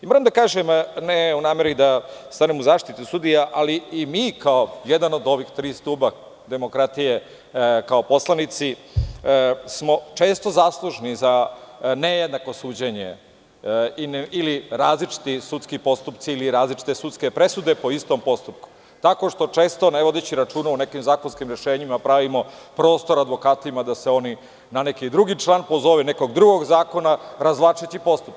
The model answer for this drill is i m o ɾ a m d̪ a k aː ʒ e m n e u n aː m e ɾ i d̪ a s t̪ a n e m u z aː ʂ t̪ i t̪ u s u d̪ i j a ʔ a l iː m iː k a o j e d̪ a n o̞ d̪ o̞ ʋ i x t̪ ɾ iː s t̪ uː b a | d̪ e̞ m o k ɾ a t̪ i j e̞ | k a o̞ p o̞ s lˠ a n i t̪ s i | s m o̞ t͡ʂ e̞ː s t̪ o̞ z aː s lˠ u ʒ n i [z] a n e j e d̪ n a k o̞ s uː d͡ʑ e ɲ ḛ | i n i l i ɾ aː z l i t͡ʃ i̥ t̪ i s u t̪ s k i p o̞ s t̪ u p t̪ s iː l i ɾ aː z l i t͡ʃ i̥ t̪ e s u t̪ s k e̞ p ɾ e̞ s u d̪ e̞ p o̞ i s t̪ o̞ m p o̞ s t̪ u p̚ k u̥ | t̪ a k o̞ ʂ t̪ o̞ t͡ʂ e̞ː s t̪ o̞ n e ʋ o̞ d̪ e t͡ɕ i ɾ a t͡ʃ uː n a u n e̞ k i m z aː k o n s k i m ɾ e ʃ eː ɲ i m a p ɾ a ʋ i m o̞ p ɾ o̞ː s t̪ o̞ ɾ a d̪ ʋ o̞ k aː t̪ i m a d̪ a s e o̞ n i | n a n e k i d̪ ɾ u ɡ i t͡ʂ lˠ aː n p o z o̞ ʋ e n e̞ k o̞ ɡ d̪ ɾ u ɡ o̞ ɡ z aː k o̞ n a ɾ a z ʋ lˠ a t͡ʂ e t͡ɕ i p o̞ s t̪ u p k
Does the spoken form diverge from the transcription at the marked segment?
no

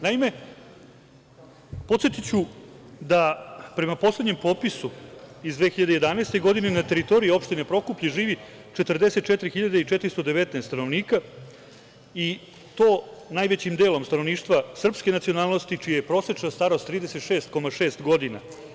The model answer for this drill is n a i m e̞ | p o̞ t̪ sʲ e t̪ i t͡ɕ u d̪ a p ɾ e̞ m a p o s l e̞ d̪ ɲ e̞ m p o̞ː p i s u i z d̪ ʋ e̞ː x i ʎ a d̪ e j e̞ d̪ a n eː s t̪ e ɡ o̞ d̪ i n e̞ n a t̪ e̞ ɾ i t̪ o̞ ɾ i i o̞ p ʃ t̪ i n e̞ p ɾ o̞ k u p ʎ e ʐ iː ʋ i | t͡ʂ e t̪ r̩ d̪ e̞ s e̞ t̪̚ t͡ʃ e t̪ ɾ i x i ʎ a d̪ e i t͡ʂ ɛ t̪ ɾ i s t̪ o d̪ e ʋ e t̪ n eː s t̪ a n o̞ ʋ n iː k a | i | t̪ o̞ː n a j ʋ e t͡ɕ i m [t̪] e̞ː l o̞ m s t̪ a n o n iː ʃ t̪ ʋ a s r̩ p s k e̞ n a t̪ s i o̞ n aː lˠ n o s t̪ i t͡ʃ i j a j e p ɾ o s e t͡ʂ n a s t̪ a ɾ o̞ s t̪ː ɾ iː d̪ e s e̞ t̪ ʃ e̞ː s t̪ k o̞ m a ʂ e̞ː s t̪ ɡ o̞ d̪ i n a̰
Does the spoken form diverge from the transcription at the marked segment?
yes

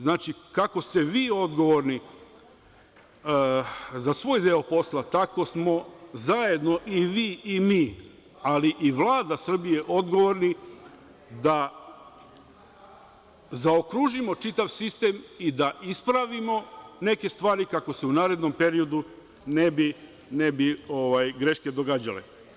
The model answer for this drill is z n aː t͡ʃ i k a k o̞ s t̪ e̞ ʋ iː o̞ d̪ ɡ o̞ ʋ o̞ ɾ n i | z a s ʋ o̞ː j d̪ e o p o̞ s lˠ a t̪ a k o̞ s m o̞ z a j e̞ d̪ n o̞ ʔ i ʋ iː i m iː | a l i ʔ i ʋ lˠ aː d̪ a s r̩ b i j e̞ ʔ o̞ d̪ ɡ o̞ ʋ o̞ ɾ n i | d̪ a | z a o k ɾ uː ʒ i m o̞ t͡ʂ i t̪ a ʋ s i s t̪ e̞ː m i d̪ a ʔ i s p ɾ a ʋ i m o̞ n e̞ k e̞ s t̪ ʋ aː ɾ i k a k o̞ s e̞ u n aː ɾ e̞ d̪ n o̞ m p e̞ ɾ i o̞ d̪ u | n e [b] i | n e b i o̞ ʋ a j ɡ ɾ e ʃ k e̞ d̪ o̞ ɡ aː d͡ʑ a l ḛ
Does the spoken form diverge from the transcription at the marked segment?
no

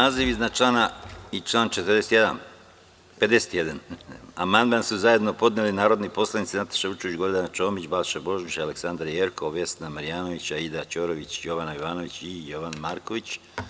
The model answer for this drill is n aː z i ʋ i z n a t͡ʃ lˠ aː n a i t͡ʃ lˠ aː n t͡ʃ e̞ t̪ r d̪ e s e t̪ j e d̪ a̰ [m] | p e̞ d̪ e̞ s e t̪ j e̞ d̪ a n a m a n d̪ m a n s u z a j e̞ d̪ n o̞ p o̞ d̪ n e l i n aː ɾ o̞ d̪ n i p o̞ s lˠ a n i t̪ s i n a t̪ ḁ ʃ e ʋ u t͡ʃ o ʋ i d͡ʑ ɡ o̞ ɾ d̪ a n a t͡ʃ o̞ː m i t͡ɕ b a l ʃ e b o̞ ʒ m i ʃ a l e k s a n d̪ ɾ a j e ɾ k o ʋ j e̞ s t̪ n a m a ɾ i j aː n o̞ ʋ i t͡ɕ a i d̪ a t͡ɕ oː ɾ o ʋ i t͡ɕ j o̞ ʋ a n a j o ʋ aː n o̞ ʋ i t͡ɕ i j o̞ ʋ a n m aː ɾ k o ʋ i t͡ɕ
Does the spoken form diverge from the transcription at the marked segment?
yes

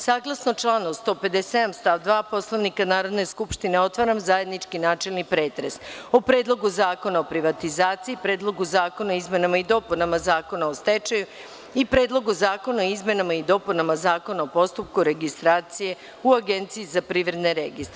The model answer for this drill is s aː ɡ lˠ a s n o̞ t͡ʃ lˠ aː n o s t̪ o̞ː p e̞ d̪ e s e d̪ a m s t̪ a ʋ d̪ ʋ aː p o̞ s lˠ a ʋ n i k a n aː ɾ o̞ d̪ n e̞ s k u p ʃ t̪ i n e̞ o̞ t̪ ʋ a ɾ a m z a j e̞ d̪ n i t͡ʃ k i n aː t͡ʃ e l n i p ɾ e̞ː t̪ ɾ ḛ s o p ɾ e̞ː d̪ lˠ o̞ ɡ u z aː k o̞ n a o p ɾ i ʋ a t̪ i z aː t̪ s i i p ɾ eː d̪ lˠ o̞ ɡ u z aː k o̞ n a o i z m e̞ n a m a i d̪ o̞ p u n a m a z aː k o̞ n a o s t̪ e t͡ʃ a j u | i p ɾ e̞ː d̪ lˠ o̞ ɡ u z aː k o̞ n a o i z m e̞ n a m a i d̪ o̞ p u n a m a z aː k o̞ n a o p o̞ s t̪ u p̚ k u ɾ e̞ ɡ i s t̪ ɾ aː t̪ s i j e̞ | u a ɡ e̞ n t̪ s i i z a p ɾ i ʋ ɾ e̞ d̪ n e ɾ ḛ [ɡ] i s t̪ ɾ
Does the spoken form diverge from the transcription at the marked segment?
no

